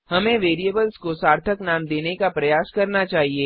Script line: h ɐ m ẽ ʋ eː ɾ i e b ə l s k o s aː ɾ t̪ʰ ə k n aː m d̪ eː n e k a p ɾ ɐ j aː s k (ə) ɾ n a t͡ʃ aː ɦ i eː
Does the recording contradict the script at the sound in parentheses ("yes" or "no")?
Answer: yes